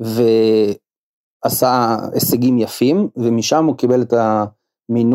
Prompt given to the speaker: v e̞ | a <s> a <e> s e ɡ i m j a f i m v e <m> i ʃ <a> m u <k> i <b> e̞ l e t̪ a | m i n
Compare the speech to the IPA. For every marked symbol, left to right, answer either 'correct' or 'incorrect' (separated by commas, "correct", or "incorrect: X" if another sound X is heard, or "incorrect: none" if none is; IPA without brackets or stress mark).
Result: correct, correct, correct, correct, correct, correct